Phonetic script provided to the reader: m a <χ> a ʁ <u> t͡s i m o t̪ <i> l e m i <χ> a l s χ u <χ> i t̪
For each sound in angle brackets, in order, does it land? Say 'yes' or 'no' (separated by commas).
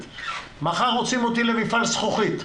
yes, no, yes, no, yes